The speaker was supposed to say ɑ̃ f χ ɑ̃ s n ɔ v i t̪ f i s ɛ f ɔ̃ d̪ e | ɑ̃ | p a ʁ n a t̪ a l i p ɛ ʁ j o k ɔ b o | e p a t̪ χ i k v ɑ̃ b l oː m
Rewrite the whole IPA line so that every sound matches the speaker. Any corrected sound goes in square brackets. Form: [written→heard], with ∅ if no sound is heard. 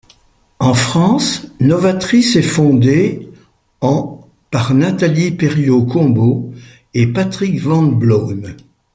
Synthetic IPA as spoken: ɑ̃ f χ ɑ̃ s n ɔ v [i→a] t̪ [f→χ] i s ɛ f ɔ̃ d̪ e | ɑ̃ | p a ʁ n a t̪ a l i p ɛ ʁ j o k [ɔ→ɔ̃] b o | e p a t̪ χ i k v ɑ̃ b l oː m